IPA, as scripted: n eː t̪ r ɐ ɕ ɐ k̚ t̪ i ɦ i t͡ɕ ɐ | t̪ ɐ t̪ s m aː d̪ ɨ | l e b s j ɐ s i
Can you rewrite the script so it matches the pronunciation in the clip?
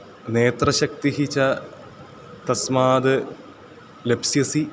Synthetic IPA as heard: n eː t̪ r ɐ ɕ ɐ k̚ t̪ i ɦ i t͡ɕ ɐ | t̪ ɐ s m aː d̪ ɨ | l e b s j ɐ s i